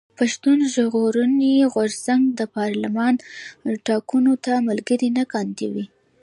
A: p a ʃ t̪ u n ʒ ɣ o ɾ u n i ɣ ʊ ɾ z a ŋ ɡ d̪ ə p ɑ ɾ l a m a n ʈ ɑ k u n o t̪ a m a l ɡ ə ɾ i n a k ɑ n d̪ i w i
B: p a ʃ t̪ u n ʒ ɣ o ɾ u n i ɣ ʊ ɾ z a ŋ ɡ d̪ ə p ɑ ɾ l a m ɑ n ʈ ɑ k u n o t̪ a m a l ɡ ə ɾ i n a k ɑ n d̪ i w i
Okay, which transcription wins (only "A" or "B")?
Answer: B